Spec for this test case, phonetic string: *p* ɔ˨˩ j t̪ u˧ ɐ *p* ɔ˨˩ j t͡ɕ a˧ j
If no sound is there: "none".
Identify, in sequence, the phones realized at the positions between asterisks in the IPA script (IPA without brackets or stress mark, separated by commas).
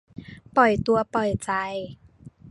p, p